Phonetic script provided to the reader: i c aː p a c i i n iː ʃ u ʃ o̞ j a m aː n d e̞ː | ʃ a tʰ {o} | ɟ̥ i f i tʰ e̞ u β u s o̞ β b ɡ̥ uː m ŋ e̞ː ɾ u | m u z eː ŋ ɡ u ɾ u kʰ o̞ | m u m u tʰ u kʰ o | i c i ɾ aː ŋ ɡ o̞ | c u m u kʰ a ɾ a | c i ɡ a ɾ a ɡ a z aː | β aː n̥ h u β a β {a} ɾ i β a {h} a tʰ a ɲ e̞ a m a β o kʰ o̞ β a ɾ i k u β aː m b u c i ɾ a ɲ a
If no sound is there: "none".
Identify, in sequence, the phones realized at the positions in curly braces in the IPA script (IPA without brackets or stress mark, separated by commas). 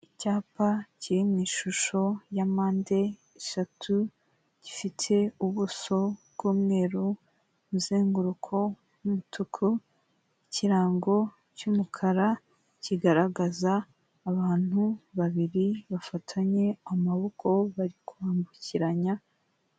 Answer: u, i, f